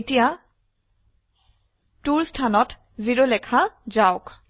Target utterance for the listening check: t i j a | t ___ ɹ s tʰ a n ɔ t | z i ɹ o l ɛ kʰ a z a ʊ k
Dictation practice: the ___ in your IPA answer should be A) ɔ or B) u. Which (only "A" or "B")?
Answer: B